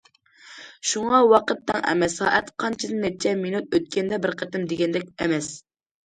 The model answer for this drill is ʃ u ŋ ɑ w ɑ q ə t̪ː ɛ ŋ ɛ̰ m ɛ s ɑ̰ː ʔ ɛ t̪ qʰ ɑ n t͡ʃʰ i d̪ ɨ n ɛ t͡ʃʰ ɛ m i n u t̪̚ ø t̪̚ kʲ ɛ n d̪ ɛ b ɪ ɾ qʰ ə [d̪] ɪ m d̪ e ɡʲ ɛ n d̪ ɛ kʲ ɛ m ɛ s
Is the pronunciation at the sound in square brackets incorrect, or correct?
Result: incorrect: t̪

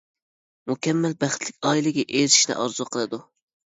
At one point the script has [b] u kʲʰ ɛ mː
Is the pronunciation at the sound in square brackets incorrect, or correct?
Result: incorrect: m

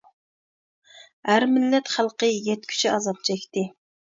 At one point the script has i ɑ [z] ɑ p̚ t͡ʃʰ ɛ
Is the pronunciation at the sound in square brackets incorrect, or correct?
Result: correct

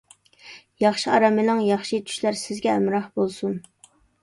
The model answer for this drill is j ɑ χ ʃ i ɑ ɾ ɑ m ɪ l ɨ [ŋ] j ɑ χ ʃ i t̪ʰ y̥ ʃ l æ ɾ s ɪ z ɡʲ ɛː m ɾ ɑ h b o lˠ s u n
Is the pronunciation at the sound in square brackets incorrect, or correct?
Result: correct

